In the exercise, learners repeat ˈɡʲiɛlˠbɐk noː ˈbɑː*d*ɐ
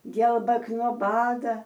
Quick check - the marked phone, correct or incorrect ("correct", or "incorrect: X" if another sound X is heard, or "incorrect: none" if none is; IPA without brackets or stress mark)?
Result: correct